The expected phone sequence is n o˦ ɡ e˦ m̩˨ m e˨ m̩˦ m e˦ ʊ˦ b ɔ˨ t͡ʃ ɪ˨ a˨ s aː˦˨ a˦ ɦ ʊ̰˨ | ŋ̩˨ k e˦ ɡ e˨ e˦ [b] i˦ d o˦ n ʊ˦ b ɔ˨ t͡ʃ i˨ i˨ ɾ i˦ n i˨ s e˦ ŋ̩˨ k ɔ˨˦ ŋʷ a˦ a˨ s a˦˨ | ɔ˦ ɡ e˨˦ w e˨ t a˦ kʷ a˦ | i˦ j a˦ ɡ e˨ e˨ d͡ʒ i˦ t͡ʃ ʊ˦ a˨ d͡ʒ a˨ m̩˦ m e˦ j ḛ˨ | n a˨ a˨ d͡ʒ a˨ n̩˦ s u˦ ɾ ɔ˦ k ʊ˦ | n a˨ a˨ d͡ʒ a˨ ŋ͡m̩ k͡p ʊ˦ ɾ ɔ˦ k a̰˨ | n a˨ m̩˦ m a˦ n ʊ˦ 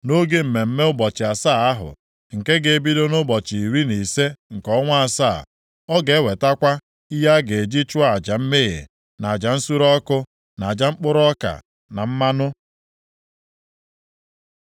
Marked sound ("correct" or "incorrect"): correct